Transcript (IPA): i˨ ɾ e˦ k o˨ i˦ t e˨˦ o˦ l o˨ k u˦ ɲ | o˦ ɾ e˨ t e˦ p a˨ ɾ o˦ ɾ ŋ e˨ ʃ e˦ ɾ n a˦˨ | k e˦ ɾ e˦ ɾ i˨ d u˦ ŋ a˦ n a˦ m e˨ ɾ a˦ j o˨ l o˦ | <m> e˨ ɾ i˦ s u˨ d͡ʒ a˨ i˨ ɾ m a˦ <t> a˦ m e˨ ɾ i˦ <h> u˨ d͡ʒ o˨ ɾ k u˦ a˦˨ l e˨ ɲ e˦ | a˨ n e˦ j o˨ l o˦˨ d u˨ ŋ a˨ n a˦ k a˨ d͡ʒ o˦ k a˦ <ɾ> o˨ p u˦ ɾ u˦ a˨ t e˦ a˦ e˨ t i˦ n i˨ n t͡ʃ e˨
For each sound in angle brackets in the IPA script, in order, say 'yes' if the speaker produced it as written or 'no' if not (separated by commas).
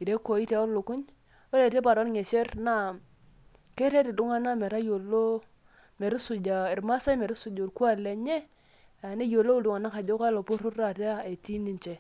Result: yes, no, no, no